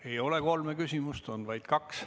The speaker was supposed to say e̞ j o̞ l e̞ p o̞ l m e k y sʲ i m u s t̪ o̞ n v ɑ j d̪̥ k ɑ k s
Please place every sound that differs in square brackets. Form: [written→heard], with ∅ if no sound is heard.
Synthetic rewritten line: e̞ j o̞ l e̞ [p→k] o̞ l m e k y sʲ i m u s t̪ o̞ n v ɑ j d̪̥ k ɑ k s